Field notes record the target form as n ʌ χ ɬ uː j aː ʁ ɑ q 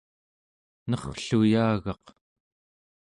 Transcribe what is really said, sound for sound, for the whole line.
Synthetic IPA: n ʌ χ ɬ u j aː ɣ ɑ q